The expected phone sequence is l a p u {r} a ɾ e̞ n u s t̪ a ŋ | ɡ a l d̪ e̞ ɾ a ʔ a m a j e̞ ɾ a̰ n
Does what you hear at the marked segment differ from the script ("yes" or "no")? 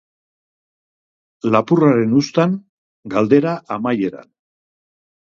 no